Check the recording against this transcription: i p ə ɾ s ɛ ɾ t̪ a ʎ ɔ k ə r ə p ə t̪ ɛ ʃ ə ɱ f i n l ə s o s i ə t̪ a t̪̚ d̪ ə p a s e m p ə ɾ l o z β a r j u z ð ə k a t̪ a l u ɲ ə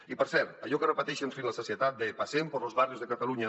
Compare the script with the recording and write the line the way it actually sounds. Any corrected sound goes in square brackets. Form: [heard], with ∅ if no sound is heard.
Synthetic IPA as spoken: i p ə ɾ s ɛ ɾ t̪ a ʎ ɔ k ə r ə p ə t̪ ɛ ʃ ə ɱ f i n l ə s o s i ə t̪ a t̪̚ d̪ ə p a s e m p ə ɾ l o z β a r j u z ð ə k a t̪ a l u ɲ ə

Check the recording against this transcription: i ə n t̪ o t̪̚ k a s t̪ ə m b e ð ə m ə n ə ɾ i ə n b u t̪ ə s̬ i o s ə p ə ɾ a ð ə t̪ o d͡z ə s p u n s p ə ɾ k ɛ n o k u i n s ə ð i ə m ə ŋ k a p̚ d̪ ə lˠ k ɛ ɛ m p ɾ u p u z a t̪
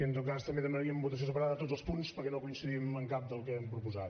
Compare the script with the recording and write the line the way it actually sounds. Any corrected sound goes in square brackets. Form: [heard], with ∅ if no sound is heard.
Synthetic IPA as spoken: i ə n t̪ o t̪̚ k a s t̪ ə m b e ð ə m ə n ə ɾ i ə [m] b u t̪ ə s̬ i o s ə p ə ɾ a ð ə t̪ o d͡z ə s p u n s p ə ɾ k ɛ n o k u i n s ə ð i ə m ə ŋ k a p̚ d̪ ə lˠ k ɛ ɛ m p ɾ u p u z a t̪

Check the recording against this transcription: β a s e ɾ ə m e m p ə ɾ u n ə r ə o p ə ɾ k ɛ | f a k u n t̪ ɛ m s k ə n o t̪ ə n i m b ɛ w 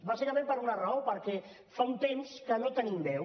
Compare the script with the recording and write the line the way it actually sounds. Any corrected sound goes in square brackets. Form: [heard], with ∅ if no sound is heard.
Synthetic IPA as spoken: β a s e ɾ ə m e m p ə ɾ u n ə r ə o p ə ɾ k ɛ | f a [∅] u n t̪ [e] m s k ə n o t̪ ə n i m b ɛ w

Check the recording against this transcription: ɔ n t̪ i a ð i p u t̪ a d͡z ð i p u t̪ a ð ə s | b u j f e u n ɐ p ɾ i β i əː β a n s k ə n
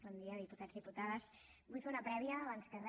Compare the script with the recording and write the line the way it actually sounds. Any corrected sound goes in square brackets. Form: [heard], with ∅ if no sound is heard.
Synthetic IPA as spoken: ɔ n [d̪] i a ð i p u t̪ a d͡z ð i p u t̪ a ð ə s | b u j f e u n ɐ p ɾ [ɛ] β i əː β a n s k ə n

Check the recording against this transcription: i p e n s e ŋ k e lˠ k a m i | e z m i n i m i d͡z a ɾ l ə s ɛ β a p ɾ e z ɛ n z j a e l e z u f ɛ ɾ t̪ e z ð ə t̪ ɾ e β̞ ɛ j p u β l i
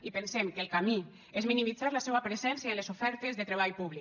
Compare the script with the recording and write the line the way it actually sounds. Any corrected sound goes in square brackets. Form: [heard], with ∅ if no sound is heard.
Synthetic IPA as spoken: i p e n s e [m] k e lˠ k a m i | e z m i n i m i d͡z a ɾ l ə s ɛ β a p ɾ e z ɛ n [s] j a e l e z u f ɛ ɾ t̪ e z ð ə t̪ ɾ e β̞ [a] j p u β l i

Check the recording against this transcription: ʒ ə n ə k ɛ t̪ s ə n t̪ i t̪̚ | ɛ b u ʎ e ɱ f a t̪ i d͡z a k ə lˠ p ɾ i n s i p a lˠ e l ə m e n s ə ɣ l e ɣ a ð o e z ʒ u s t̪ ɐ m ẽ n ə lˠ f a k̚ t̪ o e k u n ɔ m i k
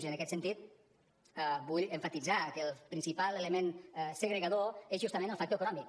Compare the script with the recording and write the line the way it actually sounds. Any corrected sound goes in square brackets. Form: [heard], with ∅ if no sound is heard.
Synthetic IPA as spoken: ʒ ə n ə k ɛ t̪ s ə n t̪ i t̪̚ | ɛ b u ʎ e ɱ f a t̪ i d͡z a k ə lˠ p ɾ i n s i p a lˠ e l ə m e n s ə ɣ [ɾ] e ɣ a ð o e z ʒ u s t̪ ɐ m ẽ n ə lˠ f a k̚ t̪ o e k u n ɔ m i k

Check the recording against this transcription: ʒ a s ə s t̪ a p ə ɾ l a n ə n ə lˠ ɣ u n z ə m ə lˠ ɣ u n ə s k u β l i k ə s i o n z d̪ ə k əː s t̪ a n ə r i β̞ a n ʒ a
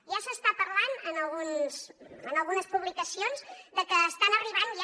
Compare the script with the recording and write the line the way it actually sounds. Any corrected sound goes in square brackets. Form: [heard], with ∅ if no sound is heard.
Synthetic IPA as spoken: ʒ a s ə s t̪ a p ə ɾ l a n ə n ə lˠ ɣ u n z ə [n] ə lˠ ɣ u n ə s [p] u β l i k ə s i o n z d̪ ə k əː s t̪ a n ə r i β̞ a n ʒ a

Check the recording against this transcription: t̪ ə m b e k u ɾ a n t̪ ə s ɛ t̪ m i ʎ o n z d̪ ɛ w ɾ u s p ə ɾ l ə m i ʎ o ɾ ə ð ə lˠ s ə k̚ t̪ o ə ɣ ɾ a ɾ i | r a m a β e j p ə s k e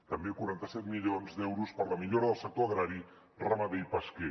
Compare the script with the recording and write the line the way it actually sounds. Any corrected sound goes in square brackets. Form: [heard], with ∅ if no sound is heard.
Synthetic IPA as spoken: t̪ ə m b e k u ɾ a n t̪ ə s ɛ t̪ m i ʎ o n z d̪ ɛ w ɾ u s p ə ɾ l ə m i ʎ o ɾ ə ð ə lˠ s ə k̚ t̪ o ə ɣ ɾ a ɾ i | r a m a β e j p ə s k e

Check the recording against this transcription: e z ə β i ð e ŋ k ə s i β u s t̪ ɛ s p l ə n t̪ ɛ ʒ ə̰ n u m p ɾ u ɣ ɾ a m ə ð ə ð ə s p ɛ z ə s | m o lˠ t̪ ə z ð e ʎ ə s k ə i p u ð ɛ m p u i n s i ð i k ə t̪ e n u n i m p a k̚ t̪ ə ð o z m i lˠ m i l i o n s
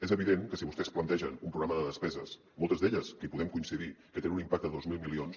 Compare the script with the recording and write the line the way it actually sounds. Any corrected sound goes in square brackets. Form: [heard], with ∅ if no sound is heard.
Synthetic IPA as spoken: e z ə β i ð e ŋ k ə s i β u s t̪ ɛ s p l ə n t̪ ɛ ʒ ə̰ n u m p ɾ u ɣ ɾ a m ə ð ə ð ə s p ɛ z ə s | m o lˠ t̪ ə z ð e ʎ ə s k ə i p u ð ɛ m [k] u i n s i ð i k ə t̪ e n u n i m p a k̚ t̪ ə ð o z m i lˠ m i l i o n s

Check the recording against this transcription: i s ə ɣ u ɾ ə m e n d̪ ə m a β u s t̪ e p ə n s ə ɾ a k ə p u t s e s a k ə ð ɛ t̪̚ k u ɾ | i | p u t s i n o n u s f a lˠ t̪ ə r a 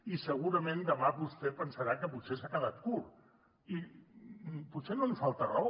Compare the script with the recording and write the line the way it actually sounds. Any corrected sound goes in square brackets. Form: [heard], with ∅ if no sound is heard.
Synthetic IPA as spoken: i s ə ɣ u ɾ ə m e n d̪ ə m a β u s t̪ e p ə n s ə ɾ a k ə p u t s e s a k ə ð [a] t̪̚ k u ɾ | i | p u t s [e] n o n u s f a lˠ t̪ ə r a

